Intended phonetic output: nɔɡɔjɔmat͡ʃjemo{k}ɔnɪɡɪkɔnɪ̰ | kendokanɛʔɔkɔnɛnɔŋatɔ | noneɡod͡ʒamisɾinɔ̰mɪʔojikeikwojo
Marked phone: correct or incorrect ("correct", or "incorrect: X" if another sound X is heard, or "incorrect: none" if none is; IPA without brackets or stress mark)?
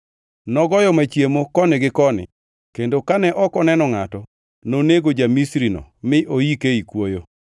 correct